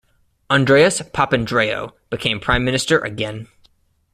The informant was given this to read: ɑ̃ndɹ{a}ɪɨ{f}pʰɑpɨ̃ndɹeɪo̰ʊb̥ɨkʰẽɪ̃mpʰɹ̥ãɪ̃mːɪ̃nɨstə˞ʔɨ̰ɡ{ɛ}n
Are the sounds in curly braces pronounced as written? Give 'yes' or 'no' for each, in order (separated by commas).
no, no, no